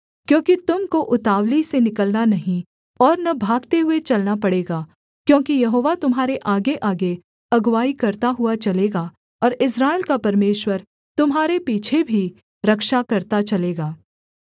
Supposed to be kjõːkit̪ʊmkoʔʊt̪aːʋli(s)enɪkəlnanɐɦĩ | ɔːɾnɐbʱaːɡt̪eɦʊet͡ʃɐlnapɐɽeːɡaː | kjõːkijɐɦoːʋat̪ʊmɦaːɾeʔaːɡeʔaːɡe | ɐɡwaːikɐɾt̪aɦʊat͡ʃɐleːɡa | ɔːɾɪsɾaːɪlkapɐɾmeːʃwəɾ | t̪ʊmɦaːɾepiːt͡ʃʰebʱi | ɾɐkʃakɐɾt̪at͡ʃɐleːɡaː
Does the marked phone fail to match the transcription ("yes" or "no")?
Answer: no